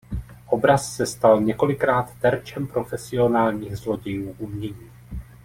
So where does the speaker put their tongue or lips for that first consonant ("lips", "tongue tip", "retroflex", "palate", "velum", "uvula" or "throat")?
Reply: throat